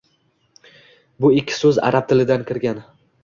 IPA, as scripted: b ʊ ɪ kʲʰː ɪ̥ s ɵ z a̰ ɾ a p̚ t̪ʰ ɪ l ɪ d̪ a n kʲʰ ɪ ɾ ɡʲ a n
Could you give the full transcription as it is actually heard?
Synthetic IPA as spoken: b ʊ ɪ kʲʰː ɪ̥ s ɵ z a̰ ɾ a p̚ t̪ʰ ɪ l ɪ d̪ a n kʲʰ ɪ ɾ ɡʲ a n